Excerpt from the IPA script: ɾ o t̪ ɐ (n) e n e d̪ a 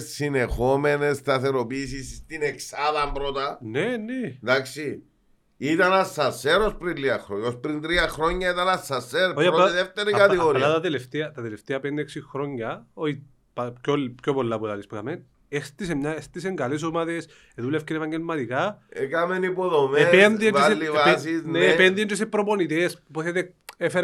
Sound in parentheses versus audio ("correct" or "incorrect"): correct